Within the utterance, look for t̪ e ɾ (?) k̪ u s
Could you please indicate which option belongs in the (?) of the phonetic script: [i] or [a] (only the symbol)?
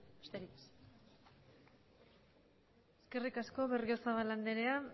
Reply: i